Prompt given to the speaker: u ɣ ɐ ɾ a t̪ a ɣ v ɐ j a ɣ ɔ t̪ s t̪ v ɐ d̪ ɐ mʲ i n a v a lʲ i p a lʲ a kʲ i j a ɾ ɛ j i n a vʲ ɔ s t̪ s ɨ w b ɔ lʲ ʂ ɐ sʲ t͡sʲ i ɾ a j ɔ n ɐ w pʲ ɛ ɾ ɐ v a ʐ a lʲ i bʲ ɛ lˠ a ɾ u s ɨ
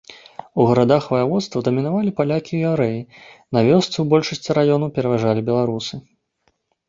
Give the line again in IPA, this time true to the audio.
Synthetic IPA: u ɣ ɐ ɾ a d̪ a x v ɐ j a v ɔ t̪ s t̪ v ɐ d̪ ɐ mʲ i n a v a lʲ i p a lʲ a kʲ i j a ɾ ɛ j i n a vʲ ɔ s t̪ s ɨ w b ɔ lʲ ʂ ɐ sʲ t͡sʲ i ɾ a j ɔ n ɐ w pʲ ɛ ɾ ɐ v a ʐ a lʲ i bʲ ɛ lˠ a ɾ u s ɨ